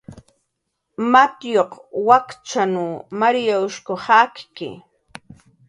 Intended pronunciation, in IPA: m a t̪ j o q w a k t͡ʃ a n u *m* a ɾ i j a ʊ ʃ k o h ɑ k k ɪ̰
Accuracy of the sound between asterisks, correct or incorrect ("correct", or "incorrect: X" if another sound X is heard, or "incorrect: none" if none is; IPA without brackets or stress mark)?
correct